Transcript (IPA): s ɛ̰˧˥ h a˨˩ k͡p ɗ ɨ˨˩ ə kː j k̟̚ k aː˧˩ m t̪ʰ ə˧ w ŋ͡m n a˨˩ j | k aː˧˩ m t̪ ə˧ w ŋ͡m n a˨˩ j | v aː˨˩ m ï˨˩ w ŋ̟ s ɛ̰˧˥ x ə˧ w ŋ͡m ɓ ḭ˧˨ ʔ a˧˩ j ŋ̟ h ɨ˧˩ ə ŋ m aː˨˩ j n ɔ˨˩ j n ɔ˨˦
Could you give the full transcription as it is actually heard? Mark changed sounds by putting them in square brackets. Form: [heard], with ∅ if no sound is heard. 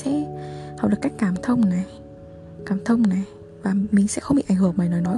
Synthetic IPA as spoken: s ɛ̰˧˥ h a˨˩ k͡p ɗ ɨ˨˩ ə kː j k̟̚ k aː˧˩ m t̪ʰ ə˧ w ŋ͡m n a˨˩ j | k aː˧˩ m [t̪ʰ] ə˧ w ŋ͡m n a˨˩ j | v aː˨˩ m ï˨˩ [∅] ŋ̟ s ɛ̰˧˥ x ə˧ w ŋ͡m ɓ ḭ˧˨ ʔ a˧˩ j ŋ̟ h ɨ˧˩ ə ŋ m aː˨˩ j n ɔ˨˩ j n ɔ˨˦